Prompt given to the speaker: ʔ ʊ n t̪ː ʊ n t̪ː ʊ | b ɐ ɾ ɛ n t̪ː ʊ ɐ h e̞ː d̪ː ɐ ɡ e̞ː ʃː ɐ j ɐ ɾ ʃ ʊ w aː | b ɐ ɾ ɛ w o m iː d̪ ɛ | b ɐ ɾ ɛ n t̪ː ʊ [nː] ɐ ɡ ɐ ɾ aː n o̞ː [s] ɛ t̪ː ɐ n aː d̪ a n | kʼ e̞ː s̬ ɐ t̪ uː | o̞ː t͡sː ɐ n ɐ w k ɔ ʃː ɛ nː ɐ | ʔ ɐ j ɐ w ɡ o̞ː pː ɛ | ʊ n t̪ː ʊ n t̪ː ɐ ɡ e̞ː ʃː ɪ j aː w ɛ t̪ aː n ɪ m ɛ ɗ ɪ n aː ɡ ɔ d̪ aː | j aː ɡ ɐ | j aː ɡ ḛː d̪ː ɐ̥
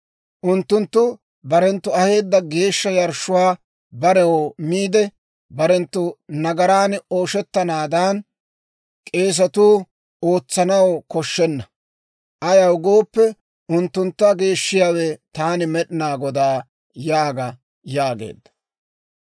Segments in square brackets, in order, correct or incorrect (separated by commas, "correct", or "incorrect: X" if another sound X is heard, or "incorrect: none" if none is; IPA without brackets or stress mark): incorrect: n, incorrect: ʃ